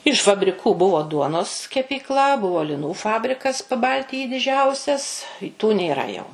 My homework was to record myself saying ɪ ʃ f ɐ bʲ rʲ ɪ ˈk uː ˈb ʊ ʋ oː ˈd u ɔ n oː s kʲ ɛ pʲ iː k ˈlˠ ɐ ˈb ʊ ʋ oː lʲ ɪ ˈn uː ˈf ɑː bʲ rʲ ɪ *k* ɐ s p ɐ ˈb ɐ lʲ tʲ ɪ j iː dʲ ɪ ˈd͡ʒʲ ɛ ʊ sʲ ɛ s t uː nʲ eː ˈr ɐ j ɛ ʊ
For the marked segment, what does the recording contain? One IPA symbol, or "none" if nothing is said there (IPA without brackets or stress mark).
k